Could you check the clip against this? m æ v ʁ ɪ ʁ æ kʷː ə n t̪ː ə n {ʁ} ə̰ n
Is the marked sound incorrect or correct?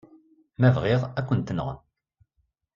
correct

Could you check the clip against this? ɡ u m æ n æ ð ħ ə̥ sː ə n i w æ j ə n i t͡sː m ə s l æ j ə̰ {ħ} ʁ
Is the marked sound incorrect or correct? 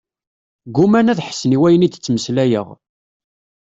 incorrect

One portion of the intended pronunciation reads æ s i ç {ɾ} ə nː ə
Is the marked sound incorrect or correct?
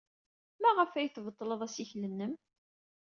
incorrect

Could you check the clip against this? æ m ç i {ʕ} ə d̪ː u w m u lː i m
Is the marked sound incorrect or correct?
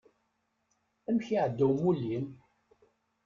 correct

